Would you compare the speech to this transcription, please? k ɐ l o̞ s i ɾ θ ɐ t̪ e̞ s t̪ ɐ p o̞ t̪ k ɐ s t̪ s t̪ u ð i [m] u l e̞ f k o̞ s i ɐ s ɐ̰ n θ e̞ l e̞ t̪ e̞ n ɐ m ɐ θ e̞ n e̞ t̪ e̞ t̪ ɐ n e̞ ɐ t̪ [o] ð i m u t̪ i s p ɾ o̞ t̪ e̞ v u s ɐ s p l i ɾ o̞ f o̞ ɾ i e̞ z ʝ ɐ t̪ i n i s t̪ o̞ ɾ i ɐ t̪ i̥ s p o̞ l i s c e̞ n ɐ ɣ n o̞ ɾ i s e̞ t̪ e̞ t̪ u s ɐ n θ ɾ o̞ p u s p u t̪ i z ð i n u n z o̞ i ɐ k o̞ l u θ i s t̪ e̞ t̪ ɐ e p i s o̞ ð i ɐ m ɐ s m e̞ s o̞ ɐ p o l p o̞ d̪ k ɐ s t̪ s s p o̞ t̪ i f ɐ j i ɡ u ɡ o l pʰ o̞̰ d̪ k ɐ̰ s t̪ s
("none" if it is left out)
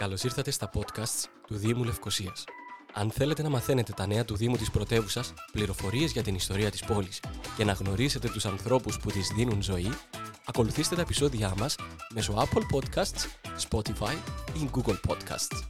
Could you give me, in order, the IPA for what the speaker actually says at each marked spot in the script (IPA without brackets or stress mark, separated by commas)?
m, u